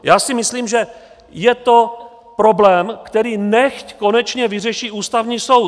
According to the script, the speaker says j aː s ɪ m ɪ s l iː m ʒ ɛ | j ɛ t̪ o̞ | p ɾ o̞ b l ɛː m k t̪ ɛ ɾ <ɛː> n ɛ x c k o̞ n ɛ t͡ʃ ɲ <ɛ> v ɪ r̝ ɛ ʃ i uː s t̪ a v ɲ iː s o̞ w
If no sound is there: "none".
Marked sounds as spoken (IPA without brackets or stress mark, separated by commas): iː, ɛ